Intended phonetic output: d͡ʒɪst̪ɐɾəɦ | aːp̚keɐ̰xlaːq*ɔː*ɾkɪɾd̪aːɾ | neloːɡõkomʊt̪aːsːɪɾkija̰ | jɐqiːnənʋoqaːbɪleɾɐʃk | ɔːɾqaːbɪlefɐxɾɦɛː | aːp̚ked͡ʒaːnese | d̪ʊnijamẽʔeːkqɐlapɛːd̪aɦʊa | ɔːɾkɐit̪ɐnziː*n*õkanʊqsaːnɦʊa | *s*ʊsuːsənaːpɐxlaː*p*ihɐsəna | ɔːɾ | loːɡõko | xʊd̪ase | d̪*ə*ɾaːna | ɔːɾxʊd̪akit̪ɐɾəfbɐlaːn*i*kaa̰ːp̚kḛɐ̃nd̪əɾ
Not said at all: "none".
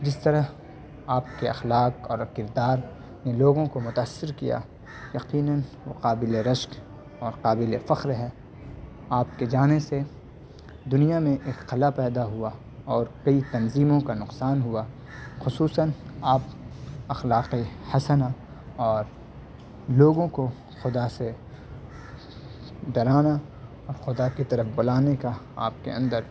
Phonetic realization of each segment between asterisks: ɔː, m, x, q, ɐ, e

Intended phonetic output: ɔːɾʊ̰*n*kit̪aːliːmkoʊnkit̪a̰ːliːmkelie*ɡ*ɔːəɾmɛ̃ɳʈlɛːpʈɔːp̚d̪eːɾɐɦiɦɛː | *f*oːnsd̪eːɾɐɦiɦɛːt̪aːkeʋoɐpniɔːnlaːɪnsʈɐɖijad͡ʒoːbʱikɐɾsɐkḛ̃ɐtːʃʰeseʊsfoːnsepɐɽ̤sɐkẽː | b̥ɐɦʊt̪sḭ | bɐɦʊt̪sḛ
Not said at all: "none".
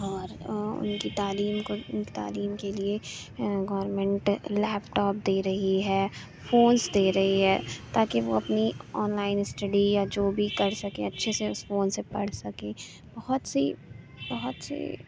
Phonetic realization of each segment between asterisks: n, ɡ, f

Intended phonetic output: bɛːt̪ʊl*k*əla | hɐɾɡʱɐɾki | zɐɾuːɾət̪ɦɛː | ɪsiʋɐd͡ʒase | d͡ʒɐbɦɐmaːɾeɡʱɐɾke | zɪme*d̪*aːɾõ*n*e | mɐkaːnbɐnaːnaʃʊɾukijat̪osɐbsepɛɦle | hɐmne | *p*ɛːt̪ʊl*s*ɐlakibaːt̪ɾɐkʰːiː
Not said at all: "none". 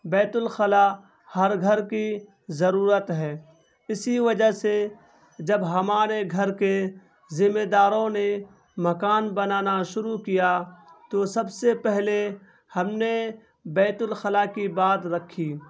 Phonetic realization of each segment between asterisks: x, d̪, n, b, x

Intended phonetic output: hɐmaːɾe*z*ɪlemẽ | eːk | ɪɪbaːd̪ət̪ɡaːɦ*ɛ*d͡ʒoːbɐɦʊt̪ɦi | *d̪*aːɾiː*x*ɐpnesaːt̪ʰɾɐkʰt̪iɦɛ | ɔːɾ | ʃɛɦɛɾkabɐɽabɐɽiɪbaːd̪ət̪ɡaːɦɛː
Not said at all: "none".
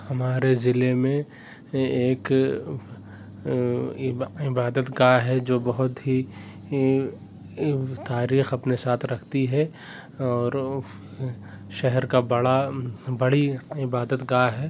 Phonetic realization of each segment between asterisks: z, ɛ, t̪, x

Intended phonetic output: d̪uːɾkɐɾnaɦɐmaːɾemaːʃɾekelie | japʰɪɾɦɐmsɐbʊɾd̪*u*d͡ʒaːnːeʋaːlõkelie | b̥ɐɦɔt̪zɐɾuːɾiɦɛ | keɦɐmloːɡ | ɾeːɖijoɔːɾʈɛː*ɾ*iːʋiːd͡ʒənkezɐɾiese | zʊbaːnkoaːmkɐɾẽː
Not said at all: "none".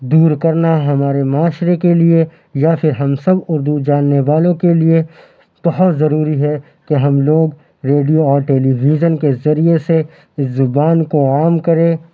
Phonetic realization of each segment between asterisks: u, l

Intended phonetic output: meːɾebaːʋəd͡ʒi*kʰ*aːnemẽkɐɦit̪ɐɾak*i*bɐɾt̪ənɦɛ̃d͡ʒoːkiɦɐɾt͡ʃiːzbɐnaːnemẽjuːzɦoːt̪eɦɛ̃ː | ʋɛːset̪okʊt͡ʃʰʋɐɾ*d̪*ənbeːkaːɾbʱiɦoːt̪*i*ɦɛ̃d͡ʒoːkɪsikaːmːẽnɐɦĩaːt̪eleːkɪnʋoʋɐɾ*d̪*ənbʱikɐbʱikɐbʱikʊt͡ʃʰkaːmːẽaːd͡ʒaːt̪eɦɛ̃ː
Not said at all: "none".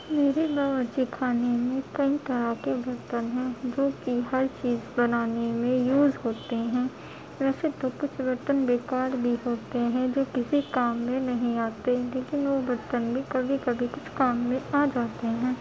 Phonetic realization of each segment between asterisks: kʰ, e, t̪, e, t̪

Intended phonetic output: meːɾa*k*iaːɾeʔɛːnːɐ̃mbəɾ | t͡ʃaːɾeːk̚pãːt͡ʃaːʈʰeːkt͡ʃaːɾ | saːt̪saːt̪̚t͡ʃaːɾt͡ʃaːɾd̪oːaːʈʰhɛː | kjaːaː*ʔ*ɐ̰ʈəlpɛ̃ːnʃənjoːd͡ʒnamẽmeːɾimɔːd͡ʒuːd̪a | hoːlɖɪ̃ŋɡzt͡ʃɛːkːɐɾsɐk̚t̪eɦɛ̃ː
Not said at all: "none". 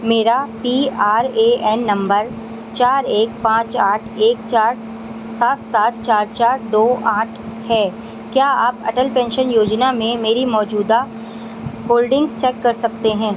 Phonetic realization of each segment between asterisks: p, p

